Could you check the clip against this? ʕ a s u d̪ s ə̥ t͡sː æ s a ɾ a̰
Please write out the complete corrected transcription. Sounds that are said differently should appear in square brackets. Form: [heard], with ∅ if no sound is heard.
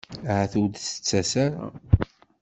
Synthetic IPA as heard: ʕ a [θ] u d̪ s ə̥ t͡sː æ s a ɾ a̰